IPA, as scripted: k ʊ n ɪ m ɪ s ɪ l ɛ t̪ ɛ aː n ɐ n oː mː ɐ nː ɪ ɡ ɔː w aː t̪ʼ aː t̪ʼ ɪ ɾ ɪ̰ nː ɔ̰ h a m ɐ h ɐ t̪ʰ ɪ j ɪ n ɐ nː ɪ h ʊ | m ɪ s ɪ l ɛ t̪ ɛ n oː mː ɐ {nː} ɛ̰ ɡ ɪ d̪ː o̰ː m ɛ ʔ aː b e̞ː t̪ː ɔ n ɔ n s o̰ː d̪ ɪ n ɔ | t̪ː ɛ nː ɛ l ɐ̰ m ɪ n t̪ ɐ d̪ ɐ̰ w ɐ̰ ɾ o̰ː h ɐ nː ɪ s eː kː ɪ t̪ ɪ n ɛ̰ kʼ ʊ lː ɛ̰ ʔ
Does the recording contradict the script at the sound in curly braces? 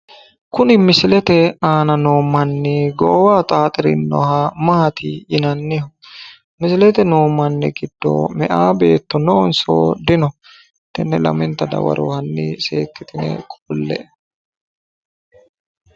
no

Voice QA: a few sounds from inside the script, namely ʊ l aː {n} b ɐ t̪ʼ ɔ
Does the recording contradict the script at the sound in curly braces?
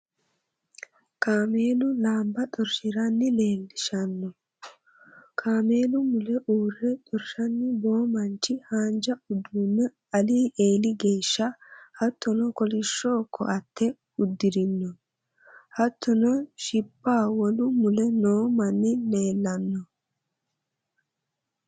yes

